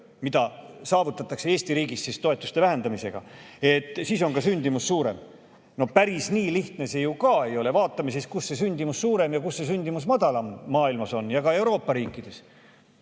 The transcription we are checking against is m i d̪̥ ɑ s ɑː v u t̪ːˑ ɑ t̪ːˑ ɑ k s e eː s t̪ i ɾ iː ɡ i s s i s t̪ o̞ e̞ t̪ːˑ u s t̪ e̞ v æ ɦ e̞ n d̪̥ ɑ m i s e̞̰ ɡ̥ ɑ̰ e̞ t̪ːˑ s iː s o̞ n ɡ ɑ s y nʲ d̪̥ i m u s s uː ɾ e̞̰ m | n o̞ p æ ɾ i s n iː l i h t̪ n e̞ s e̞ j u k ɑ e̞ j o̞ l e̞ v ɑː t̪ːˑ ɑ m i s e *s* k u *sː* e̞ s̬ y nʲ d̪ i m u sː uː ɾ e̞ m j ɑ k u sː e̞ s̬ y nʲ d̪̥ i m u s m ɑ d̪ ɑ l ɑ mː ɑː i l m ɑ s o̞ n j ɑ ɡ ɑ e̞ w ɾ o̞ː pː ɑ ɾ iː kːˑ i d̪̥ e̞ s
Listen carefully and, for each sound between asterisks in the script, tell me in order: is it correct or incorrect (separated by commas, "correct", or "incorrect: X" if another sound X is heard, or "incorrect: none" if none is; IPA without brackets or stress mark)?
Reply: correct, correct